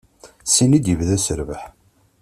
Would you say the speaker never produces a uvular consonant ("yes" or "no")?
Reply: yes